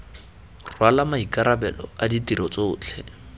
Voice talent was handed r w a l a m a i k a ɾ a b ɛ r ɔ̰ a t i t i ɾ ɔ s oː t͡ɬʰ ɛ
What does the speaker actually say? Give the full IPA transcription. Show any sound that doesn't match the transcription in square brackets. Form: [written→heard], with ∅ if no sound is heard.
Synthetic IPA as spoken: r w a l a m a i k a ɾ a b ɛ [r→l] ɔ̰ a [t→d] i t i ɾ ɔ [s→t͡s] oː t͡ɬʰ ɛ